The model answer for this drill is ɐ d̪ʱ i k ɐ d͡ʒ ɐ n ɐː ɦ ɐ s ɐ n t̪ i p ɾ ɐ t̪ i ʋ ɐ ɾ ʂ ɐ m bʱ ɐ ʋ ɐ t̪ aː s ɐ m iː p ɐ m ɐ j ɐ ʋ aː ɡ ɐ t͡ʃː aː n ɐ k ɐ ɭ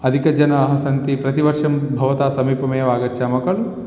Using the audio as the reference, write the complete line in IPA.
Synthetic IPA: ɐ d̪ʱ i k ɐ d͡ʒ ɐ n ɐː ɦ ɐ s ɐ n t̪ i p ɾ ɐ t̪ i ʋ ɐ ɾ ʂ ɐ m bʱ ɐ ʋ ɐ t̪ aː s ɐ m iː p ɐ m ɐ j ɐ ʋ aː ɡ ɐ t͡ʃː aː m ɐ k ɐ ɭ